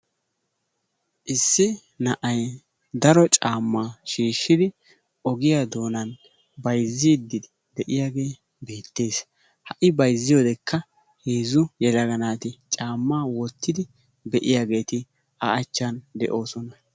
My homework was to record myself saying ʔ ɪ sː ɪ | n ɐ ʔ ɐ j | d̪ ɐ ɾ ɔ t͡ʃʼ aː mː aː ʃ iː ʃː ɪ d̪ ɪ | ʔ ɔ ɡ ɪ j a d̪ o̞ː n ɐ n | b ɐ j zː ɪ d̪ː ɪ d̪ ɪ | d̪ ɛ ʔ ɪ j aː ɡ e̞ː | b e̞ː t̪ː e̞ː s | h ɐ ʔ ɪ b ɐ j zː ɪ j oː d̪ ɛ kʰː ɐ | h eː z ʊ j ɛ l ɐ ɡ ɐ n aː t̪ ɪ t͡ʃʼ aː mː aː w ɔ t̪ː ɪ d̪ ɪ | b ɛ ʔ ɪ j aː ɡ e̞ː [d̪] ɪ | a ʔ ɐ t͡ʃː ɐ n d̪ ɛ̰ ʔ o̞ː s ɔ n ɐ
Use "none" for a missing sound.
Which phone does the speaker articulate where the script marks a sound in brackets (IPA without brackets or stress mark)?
t̪